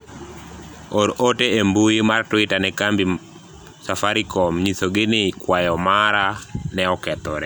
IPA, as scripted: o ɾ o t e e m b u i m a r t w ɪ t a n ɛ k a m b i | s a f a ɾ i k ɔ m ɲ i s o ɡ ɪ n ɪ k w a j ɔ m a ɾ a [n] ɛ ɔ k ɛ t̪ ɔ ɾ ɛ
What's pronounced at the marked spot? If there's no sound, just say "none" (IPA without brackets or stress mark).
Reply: n